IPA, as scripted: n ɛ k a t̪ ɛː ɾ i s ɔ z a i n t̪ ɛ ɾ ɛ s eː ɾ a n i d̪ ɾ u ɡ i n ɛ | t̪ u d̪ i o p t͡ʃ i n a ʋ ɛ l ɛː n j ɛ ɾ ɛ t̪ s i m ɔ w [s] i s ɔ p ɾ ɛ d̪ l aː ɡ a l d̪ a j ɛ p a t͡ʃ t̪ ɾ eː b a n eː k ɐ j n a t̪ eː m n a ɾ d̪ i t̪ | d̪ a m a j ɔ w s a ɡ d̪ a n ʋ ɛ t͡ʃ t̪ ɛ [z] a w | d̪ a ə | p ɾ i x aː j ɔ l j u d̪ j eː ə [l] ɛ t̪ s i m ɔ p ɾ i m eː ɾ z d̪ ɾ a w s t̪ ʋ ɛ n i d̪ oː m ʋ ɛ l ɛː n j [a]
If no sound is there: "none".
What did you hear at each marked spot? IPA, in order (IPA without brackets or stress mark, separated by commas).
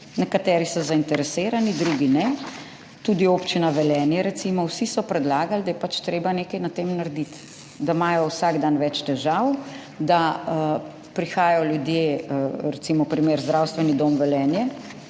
s, ʒ, ɾ, ɛ